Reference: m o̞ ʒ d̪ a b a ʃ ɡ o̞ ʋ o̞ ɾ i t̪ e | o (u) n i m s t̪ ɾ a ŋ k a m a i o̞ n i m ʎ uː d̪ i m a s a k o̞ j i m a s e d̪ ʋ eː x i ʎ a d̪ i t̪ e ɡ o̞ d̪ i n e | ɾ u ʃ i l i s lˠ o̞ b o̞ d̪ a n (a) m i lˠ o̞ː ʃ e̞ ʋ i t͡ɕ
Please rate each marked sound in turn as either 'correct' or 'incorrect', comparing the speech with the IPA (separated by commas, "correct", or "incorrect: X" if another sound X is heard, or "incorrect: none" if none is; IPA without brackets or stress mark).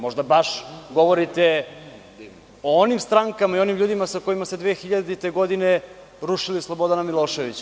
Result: incorrect: o, correct